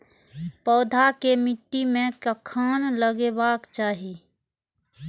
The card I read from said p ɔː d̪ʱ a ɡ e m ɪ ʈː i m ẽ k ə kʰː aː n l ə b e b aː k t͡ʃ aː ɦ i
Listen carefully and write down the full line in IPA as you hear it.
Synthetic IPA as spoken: p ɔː d̪ʱ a k e m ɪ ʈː i m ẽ k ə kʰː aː n l ə ɡ e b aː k t͡ʃ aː ɦ i